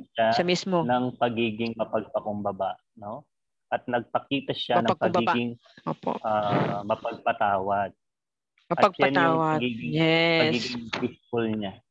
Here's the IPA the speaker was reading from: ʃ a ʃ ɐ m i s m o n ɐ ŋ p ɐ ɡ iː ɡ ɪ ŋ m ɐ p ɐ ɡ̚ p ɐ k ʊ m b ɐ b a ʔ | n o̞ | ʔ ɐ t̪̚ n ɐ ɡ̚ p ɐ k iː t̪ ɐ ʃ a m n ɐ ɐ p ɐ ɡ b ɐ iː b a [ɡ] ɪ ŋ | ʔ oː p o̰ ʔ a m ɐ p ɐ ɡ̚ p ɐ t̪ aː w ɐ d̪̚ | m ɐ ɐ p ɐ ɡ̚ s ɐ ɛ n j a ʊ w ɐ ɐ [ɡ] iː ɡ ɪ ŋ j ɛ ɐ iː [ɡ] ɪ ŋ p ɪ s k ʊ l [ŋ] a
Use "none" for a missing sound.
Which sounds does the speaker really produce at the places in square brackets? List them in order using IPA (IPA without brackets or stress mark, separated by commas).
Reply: ɡ, ɡ, ɡ, ɲ